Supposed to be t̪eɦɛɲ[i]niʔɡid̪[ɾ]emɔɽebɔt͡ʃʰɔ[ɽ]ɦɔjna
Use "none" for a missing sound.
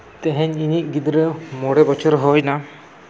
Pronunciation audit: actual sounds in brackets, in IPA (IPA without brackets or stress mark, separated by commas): i, ɾ, ɾ